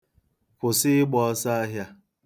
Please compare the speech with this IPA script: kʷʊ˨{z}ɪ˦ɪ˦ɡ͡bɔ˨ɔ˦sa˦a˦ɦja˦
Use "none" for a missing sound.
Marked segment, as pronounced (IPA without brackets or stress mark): s